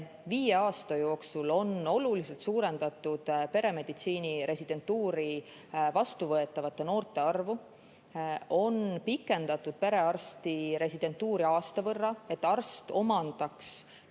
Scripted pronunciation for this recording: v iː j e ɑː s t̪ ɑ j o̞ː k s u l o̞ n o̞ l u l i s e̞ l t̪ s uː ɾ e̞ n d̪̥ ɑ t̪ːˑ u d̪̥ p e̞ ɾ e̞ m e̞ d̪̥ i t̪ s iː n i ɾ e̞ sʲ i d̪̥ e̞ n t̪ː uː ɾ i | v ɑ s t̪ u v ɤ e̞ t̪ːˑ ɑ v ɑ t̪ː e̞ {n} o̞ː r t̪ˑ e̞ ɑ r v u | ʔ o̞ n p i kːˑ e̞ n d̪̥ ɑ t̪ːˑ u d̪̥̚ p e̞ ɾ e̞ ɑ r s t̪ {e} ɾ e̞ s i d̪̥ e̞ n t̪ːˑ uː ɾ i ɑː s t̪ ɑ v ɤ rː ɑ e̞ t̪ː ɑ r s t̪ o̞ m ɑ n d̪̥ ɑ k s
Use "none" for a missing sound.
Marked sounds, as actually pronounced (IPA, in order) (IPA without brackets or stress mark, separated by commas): n, i